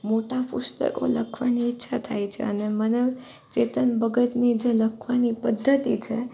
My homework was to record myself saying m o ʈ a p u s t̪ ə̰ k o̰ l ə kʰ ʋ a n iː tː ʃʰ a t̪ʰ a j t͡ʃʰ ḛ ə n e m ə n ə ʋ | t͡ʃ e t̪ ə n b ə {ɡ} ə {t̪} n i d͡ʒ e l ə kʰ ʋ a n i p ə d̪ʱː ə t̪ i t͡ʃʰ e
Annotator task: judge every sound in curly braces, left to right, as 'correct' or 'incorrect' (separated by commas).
correct, correct